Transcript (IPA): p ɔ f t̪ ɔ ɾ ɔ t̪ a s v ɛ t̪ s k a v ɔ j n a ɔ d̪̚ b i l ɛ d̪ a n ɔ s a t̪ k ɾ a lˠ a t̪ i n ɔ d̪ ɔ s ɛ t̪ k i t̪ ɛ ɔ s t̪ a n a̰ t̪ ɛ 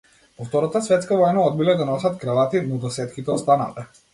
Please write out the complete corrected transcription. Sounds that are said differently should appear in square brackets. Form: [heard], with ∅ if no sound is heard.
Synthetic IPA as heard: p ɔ f t̪ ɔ ɾ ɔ t̪ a s v ɛ t̪ s k a v ɔ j n a ɔ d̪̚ b i l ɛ d̪ a n ɔ s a t̪ k ɾ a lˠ a t̪ i n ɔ d̪ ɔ s ɛ t̪ k i t̪ ɛ ɔ s t̪ a n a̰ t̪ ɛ